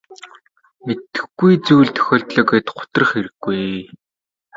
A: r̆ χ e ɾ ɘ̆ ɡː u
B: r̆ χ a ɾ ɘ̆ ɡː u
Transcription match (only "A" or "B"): A